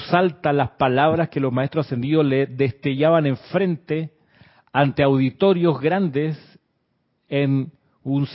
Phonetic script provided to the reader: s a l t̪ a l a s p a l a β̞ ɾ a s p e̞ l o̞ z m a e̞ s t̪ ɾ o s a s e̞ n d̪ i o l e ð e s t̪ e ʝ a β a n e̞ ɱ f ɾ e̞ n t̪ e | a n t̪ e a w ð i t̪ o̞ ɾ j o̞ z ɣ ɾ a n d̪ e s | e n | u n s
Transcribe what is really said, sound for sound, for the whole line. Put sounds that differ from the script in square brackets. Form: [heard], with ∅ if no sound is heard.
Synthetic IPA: s a l t̪ a l a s p a l a β̞ ɾ a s [k] e̞ l o̞ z m a e̞ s t̪ ɾ o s a s e̞ n d̪ i o l e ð e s t̪ e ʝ a β a n e̞ ɱ f ɾ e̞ n t̪ e | a n t̪ e a w ð i t̪ o̞ ɾ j o̞ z ɣ ɾ a n d̪ e s | e n | u n s